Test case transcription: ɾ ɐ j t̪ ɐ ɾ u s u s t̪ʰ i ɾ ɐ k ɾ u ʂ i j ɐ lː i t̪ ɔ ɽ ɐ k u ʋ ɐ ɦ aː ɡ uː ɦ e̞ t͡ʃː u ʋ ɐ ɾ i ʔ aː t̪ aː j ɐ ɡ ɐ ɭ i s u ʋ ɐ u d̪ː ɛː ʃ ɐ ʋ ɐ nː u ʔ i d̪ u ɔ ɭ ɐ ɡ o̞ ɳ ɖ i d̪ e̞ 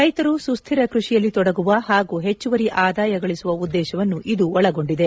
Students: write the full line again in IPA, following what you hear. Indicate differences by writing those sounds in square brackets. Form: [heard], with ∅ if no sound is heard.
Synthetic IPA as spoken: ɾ ɐ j t̪ ɐ ɾ u s u s t̪ʰ i ɾ ɐ k ɾ u ʂ i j ɐ lː i t̪ ɔ ɽ ɐ [ɡ] u ʋ ɐ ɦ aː ɡ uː ɦ e̞ t͡ʃː u ʋ ɐ ɾ i ʔ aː [d̪] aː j ɐ ɡ ɐ ɭ i s u ʋ ɐ u d̪ː ɛː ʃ ɐ ʋ ɐ nː u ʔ i d̪ u ɔ ɭ ɐ ɡ o̞ ɳ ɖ i d̪ e̞

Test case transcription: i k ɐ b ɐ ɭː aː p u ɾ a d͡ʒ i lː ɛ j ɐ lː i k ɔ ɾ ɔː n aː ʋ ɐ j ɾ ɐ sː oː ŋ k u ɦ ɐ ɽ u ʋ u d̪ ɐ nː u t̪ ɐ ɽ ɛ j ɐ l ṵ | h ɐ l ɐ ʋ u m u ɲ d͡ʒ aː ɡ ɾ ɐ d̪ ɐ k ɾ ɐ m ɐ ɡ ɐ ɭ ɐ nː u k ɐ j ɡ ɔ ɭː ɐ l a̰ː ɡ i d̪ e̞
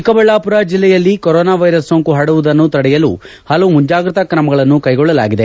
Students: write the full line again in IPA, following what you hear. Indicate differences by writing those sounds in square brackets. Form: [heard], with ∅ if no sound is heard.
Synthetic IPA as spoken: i k ɐ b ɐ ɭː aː p u ɾ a d͡ʒ i lː ɛ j ɐ lː i k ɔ ɾ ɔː n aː ʋ ɐ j ɾ ɐ sː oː ŋ k u ɦ ɐ ɽ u ʋ u d̪ ɐ nː u t̪ ɐ ɽ ɛ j ɐ l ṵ | h ɐ l ɐ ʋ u m u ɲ d͡ʒ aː ɡ ɾ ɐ [t̪] ɐ k ɾ ɐ m ɐ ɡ ɐ ɭ ɐ nː u k ɐ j ɡ ɔ ɭː ɐ l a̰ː ɡ i d̪ e̞

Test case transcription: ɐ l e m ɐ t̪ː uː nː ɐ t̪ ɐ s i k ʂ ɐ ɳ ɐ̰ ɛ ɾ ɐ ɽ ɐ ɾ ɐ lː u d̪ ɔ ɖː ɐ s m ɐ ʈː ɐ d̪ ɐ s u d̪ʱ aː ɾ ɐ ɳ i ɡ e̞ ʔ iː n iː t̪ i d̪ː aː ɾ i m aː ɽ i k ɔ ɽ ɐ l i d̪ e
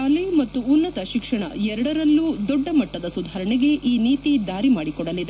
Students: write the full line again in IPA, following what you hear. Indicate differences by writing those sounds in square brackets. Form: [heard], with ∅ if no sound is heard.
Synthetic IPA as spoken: ɐ l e m ɐ t̪ː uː nː ɐ t̪ ɐ [ʃ] i k ʂ ɐ ɳ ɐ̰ ɛ ɾ ɐ ɽ ɐ ɾ ɐ lː u d̪ ɔ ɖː ɐ [∅] m ɐ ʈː ɐ d̪ ɐ s u d̪ʱ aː ɾ ɐ ɳ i ɡ e̞ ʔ iː n iː t̪ i [d̪] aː ɾ i m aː ɽ i k ɔ ɽ ɐ l i d̪ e

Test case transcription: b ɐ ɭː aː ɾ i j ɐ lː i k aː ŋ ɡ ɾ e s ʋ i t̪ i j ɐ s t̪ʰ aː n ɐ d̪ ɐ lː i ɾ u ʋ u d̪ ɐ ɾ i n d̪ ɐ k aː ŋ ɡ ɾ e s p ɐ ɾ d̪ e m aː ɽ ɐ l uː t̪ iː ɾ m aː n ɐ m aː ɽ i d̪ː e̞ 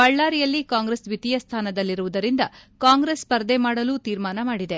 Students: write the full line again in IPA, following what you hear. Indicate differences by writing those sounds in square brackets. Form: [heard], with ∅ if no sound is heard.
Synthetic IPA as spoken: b ɐ ɭː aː ɾ i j ɐ lː i k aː ŋ ɡ ɾ e s ʋ i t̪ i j ɐ s t̪ʰ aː n ɐ d̪ ɐ lː i ɾ u ʋ u d̪ ɐ ɾ i n d̪ ɐ k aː ŋ ɡ ɾ e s p ɐ ɾ d̪ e m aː ɽ ɐ l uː t̪ iː ɾ m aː n ɐ m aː ɽ i [d̪] e̞

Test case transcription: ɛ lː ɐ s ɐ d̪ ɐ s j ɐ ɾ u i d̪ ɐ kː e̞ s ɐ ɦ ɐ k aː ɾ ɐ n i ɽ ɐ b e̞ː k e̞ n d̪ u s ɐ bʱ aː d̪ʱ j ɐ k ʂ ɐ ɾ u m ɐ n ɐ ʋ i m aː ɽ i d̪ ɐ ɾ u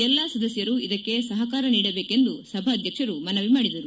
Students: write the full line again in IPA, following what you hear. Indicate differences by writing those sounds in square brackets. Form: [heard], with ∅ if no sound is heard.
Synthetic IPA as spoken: ɛ lː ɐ s ɐ d̪ ɐ s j ɐ ɾ u i d̪ ɐ kː e̞ s ɐ ɦ ɐ k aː ɾ ɐ n [iː] ɽ ɐ b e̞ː k e̞ n d̪ u s ɐ bʱ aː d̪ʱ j ɐ k ʂ ɐ ɾ u m ɐ n ɐ ʋ i m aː ɽ i d̪ ɐ ɾ u

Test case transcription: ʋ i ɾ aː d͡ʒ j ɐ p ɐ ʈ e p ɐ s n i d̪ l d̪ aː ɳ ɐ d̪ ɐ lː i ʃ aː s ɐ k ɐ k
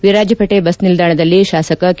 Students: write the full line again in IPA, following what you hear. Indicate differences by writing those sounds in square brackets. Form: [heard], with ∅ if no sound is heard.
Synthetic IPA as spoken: ʋ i ɾ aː d͡ʒ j ɐ p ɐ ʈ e [b] ɐ s n i [∅] l d̪ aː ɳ ɐ d̪ ɐ lː i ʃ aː s ɐ k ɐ k

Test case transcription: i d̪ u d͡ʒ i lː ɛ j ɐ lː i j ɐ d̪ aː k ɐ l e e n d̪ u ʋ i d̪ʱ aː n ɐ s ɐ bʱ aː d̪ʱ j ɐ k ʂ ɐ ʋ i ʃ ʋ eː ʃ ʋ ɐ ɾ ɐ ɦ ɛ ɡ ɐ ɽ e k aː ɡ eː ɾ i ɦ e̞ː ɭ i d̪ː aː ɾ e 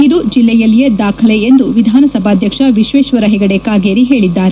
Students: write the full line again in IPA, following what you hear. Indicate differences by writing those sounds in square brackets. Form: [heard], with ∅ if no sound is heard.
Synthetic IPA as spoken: i d̪ u d͡ʒ i lː ɛ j ɐ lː i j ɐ d̪ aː [kʰ] ɐ l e e n d̪ u ʋ i d̪ʱ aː n ɐ s ɐ bʱ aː d̪ʱ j ɐ k ʂ ɐ ʋ i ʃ ʋ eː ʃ ʋ ɐ ɾ ɐ ɦ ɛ ɡ ɐ ɽ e k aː ɡ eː ɾ i ɦ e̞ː ɭ i d̪ː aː ɾ e

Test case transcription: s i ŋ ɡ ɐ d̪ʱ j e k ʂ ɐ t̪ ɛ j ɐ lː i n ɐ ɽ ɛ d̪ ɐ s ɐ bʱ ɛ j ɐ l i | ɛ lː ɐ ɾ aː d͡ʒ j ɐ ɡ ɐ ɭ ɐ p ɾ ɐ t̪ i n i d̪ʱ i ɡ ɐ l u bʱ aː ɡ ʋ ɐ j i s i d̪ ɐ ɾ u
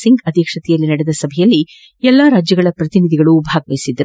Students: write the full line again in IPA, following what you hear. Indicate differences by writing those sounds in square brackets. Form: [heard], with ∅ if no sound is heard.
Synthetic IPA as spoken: s i ŋ ɡ ɐ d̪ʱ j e k ʂ ɐ t̪ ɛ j ɐ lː i n ɐ ɽ ɛ d̪ ɐ s ɐ bʱ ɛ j ɐ [lː] i | ɛ lː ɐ ɾ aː d͡ʒ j ɐ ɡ ɐ ɭ ɐ p ɾ ɐ t̪ i n i d̪ʱ i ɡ ɐ [ɭ] u bʱ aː ɡ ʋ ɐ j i s i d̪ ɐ ɾ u

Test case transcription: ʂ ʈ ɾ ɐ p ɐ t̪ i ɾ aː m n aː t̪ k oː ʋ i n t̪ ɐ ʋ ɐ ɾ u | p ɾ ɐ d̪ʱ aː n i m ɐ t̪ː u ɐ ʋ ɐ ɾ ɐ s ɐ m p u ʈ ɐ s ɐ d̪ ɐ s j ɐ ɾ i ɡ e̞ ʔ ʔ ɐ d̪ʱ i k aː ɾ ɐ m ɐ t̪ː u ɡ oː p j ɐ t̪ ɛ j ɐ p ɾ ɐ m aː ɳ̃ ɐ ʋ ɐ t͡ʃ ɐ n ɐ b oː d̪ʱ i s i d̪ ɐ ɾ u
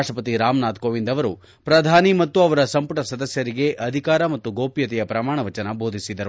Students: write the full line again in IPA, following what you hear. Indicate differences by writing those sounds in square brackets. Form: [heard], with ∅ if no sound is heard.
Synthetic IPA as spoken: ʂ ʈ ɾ ɐ p ɐ t̪ i ɾ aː m n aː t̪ k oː ʋ i n [d̪] ɐ ʋ ɐ ɾ u | p ɾ ɐ d̪ʱ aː n i m ɐ t̪ː u ɐ ʋ ɐ ɾ ɐ s ɐ m p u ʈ ɐ s ɐ d̪ ɐ s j ɐ ɾ i ɡ e̞ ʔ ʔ ɐ d̪ʱ i k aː ɾ ɐ m ɐ t̪ː u ɡ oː p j ɐ t̪ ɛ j ɐ p ɾ ɐ m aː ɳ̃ ɐ ʋ ɐ t͡ʃ ɐ n ɐ b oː d̪ʱ i s i d̪ ɐ ɾ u

